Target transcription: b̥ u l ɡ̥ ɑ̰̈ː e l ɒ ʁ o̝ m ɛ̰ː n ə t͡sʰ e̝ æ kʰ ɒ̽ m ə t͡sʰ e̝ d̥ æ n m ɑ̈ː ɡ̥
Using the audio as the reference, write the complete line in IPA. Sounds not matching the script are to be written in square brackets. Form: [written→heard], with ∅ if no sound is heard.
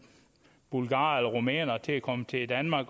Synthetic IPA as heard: b̥ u l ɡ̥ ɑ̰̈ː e l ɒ ʁ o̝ m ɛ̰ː n [ə→ɐ] t͡sʰ e̝ æ kʰ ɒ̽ m ə t͡sʰ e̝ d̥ æ n m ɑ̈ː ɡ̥